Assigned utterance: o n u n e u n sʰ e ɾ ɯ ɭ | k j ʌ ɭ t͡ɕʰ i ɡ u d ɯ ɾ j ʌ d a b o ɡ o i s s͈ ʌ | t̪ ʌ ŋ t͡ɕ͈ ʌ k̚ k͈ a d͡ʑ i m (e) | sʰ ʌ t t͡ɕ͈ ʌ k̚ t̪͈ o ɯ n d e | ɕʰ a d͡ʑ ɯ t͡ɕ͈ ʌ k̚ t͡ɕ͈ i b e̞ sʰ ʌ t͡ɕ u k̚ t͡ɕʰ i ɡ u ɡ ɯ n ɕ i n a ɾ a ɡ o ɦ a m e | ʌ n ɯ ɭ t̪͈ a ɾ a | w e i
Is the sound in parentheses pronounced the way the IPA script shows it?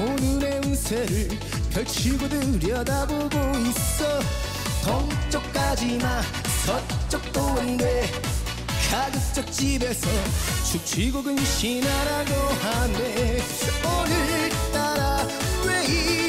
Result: no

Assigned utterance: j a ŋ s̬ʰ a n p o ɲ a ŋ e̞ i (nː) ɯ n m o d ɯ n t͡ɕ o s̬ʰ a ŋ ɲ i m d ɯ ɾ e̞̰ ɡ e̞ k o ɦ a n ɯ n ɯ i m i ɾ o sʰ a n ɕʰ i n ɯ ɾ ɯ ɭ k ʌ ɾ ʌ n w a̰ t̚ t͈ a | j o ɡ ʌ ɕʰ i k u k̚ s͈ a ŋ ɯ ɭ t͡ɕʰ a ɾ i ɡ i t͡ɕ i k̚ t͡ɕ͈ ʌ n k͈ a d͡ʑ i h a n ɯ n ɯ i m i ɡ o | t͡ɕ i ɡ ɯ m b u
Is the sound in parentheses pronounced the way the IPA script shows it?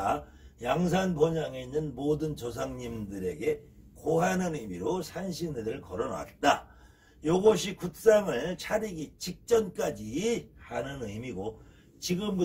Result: yes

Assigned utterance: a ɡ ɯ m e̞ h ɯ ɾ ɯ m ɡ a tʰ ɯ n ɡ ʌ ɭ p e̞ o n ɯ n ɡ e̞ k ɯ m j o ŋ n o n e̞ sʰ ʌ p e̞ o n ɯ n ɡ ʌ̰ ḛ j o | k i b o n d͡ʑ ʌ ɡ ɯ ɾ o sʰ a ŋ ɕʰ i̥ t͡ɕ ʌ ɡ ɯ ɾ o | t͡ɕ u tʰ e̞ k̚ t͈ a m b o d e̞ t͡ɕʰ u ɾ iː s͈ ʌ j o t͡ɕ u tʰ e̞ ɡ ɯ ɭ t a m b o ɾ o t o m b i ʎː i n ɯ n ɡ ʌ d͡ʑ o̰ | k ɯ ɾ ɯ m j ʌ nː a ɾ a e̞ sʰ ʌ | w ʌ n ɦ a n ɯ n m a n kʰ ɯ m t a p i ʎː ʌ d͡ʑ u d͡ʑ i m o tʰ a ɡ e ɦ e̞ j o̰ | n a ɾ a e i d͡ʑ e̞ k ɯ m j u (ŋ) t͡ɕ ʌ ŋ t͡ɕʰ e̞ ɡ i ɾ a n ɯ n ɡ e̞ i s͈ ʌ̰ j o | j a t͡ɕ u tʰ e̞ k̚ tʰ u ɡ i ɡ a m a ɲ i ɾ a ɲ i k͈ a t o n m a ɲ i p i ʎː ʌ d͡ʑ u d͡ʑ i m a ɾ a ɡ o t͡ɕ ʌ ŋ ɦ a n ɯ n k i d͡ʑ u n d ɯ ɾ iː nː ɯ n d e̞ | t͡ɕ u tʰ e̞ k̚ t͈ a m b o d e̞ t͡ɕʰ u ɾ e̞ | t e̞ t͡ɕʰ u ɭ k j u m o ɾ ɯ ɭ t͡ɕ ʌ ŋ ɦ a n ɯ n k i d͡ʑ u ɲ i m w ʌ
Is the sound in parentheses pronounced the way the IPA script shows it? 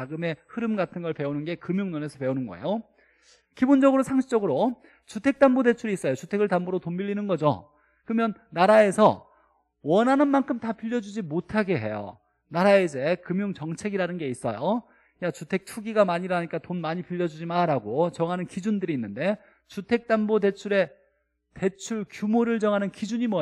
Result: yes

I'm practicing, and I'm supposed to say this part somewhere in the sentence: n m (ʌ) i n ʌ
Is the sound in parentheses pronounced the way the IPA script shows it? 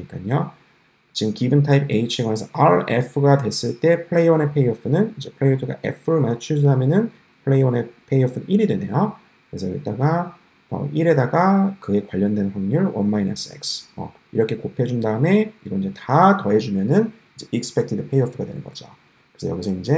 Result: no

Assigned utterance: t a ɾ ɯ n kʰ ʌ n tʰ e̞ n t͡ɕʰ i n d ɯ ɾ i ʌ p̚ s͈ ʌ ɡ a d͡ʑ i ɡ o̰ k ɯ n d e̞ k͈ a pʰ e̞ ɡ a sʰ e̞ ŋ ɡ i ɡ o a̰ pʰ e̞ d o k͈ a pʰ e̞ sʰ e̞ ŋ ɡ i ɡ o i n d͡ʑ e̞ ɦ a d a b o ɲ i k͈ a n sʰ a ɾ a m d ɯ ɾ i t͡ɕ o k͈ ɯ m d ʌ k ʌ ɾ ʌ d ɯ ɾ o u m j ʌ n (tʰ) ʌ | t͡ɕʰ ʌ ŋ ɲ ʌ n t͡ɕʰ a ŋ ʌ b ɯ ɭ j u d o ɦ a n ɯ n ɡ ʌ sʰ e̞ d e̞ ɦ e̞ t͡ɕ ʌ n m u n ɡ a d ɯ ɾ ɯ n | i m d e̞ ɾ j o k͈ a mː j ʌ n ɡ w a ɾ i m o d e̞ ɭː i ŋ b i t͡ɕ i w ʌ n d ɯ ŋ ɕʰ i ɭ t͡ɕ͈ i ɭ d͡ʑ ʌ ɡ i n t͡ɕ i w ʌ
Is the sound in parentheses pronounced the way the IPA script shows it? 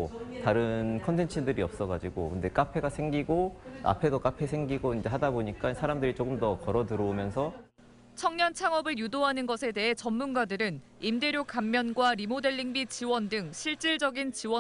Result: no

